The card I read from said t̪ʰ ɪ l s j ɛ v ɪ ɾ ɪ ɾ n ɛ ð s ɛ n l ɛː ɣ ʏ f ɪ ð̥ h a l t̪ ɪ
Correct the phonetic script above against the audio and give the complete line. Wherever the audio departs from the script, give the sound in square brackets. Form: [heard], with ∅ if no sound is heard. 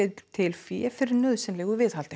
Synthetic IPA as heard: t̪ʰ ɪ l [f] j ɛ [f] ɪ ɾ ɪ ɾ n [œ] ð s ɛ n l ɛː ɣ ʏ [v] ɪ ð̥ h a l t̪ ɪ

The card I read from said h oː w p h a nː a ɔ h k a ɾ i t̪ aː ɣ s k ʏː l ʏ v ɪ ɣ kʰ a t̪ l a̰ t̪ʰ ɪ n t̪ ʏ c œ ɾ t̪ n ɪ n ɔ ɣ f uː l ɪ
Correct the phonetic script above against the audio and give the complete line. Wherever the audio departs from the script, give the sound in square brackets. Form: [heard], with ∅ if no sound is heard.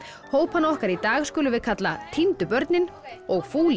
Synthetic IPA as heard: h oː w p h a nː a ɔ h k a ɾ i t̪ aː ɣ s k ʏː l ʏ v ɪ [ð] kʰ a t̪ l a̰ t̪ʰ [i] n t̪ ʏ [p] œ ɾ t̪ n ɪ n ɔ ɣ f uː l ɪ

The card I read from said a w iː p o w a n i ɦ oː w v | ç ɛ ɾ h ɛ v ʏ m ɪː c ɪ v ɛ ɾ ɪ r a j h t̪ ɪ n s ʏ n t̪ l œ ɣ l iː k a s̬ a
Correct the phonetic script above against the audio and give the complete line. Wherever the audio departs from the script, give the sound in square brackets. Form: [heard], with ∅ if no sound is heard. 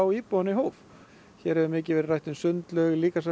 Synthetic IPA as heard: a w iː p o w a n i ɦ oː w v | ç ɛ ɾ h ɛ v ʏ m ɪː c ɪ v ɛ ɾ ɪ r a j h t̪ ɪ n s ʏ n t̪ l œ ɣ l iː k a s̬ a

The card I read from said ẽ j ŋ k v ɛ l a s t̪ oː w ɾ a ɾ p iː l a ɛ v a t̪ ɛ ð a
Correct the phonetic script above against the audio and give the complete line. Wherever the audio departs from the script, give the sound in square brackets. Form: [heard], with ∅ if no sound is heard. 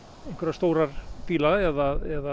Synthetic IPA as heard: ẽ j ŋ k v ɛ [ɾ] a s t̪ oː w ɾ a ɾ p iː l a ɛ [ð] a [∅] ɛ ð a

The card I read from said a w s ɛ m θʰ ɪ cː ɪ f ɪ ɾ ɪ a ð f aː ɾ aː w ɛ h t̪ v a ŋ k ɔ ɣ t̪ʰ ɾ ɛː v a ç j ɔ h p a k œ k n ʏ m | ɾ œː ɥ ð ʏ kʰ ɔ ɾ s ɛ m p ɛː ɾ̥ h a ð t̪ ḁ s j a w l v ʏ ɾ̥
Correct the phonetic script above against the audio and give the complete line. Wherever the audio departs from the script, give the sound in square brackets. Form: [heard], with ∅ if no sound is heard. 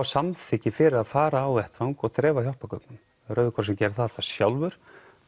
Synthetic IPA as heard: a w s [a] m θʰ ɪ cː ɪ f ɪ ɾ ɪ a ð f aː ɾ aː w ɛ h t̪ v a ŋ k ɔ ɣ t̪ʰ ɾ ɛː v a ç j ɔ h p a k œ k n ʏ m | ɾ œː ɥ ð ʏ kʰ ɔ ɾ s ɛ m [c] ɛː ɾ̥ [θ] a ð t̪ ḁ s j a w l v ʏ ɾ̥

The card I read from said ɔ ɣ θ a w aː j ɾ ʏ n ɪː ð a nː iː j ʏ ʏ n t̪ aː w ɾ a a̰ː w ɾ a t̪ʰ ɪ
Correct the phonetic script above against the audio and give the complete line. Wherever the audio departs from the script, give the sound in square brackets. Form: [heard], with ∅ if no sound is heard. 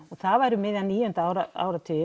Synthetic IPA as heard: ɔ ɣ θ a [v] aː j ɾ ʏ [m] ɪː ð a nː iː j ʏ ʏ n t̪ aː w ɾ a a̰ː w ɾ a t̪ʰ ɪ

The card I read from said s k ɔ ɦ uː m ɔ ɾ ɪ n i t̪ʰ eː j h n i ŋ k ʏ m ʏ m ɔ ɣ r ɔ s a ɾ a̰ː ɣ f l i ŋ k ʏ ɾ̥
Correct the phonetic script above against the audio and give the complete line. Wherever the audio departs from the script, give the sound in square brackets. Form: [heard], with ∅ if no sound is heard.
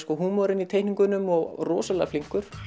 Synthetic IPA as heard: s k ɔ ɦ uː m ɔ ɾ ɪ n i t̪ʰ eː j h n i ŋ k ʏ [n] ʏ m ɔ ɣ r [ɔː] s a [l] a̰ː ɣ f l i ŋ k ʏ ɾ̥

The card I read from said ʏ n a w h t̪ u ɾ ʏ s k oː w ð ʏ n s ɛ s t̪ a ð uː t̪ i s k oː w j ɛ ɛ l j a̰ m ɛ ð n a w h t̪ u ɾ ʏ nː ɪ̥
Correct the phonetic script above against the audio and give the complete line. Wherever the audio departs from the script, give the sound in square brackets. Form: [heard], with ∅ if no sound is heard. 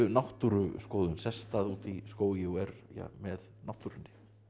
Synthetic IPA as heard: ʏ n a w h t̪ u ɾ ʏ s k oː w ð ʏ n s ɛ s t̪ a ð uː t̪ i s k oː w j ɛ ɛ [ɾ] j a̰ m ɛ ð n a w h t̪ u ɾ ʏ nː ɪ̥

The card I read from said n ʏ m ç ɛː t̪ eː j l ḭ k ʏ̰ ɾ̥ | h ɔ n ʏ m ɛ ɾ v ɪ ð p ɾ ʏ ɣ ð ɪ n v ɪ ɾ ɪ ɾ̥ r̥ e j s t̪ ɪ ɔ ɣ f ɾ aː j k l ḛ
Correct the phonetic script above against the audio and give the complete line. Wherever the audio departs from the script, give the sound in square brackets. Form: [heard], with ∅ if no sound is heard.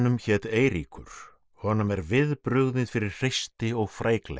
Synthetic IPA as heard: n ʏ m ç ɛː t̪ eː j [ɾ] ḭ k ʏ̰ ɾ̥ | h ɔ n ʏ m ɛ ɾ v ɪ ð p ɾ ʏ ɣ ð ɪ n [f] ɪ ɾ ɪ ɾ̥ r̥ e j s t̪ ɪ ɔ ɣ f ɾ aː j k l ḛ

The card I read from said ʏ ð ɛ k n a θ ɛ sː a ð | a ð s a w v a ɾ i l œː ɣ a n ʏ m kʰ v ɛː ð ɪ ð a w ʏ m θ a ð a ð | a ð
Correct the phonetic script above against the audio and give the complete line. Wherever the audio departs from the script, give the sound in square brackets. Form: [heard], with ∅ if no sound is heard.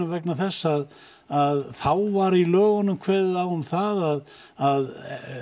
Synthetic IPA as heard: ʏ [v] ɛ k n a θ ɛ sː a ð | a ð [θ] a w v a ɾ i l œː ɣ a n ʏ m kʰ v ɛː ð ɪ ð a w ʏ m θ a ð a ð | a ð

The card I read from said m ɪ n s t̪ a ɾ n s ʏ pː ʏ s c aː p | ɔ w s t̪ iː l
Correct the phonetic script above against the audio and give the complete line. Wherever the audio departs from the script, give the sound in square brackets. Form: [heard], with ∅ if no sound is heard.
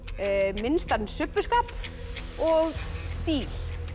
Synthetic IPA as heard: m ɪ n s t̪ a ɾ n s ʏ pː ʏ s [k] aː p | ɔ [ɣ] s t̪ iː l

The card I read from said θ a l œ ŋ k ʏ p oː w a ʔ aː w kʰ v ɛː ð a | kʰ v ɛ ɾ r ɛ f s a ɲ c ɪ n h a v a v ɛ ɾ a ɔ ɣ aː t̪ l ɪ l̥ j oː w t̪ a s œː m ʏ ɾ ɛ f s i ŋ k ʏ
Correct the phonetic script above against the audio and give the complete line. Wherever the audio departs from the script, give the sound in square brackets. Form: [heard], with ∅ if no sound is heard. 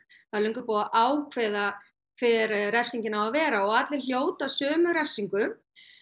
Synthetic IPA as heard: θ a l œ ŋ k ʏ p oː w a ʔ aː w kʰ v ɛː ð a | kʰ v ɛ ɾ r ɛ f s [i] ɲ c ɪ n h a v a v [ɛː] ɾ a ɔ ɣ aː t̪ l ɪ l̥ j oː w t̪ a s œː m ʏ ɾ ɛ f s i ŋ k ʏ

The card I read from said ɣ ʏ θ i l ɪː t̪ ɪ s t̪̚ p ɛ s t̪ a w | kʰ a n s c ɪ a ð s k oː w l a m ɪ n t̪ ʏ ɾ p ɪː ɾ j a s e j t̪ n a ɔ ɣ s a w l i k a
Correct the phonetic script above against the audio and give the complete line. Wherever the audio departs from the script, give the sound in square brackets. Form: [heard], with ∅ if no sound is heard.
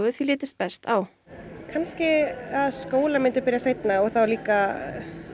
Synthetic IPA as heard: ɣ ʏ θ i l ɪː t̪ ɪ s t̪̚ p ɛ s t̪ a w | kʰ a n s c ɪ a ð s k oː w l a m ɪ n t̪ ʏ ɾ p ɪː ɾ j a s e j t̪ n a ɔ ɣ [θ] a w l [iː] k a

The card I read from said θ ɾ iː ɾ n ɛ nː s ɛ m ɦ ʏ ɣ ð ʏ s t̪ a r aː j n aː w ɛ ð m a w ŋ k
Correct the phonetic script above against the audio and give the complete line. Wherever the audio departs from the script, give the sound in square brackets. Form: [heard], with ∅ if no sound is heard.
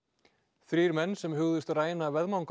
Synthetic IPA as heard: θ ɾ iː ɾ [m] ɛ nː s ɛ m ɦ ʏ ɣ ð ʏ s t̪ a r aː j n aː [v] ɛ ð m a w ŋ k

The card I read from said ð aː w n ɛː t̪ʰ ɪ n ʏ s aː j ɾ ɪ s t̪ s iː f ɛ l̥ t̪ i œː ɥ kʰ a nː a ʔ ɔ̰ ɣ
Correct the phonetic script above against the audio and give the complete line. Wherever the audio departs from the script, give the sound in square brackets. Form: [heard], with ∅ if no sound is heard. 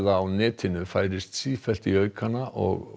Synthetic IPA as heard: ð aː w n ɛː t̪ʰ ɪ n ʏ [f] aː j ɾ ɪ s t̪ s iː f ɛ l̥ t̪ i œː ɥ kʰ a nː a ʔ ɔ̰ ɣ

